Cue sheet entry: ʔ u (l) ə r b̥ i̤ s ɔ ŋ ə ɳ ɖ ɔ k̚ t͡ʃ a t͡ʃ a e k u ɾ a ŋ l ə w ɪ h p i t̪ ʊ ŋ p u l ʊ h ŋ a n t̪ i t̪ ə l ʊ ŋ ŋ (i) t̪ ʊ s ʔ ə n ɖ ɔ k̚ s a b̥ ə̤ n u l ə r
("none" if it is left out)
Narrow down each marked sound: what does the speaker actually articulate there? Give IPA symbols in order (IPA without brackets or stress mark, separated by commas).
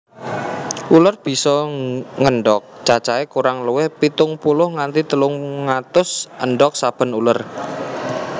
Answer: l, a